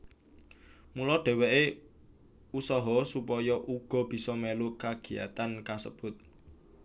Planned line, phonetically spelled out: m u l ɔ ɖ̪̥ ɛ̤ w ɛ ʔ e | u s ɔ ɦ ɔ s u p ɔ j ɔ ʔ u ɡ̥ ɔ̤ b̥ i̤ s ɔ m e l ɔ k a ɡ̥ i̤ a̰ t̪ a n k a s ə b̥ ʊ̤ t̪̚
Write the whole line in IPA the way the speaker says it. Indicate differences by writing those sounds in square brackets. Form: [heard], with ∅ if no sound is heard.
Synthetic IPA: m u l ɔ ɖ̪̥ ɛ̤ w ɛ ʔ e | u s ɔ ɦ ɔ s u p ɔ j ɔ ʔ u ɡ̥ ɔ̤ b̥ i̤ s ɔ m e l [u] k a ɡ̥ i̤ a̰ t̪ a n k a s ə b̥ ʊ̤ t̪̚